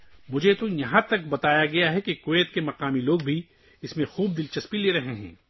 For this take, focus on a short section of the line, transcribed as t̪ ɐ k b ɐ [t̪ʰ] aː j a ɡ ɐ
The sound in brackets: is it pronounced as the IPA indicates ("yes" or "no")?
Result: no